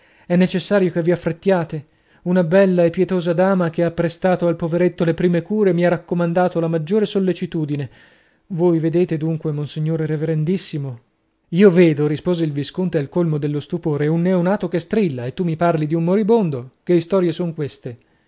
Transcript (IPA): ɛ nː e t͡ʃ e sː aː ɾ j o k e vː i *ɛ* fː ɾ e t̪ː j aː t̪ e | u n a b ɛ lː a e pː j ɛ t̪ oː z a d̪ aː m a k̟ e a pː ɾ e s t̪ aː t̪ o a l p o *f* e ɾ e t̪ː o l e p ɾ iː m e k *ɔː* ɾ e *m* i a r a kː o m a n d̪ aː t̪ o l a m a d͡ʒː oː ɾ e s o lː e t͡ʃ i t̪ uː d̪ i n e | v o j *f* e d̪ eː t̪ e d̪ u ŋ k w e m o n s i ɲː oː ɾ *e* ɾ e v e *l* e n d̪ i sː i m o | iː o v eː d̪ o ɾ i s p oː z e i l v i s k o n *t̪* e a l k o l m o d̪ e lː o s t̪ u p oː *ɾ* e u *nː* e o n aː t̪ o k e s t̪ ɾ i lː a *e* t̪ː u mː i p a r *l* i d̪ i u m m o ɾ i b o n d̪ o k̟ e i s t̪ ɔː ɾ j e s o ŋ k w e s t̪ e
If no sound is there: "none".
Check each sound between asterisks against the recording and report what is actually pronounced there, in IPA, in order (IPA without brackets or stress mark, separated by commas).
a, v, uː, m, v, e, ɾ, t̪, ɾ, nː, e, l